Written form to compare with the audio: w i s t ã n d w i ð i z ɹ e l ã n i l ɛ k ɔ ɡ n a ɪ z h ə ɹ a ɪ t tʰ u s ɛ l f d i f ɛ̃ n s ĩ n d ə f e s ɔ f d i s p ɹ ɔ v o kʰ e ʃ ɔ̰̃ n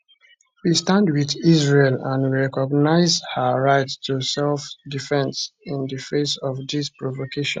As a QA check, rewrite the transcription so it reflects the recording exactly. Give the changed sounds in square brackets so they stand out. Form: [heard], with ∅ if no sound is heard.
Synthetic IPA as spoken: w i s t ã n d w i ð i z ɹ e l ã n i [ɹ] ɛ k ɔ ɡ n a ɪ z h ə ɹ a ɪ t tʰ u s ɛ l f d i f ɛ̃ n s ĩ n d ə f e s ɔ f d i s p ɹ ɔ v o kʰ e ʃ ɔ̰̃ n